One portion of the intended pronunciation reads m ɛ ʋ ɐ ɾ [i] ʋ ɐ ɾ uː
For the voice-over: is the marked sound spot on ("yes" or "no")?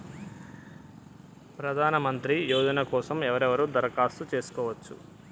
no